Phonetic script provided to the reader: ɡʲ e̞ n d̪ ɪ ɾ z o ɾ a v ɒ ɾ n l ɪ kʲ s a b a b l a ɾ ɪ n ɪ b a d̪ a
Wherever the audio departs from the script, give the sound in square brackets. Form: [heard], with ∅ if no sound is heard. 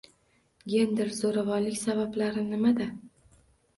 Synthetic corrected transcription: ɡʲ e̞ n d̪ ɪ ɾ z o ɾ a v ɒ [∅] n l ɪ kʲ s a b a b l a ɾ ɪ n ɪ [m] a d̪ a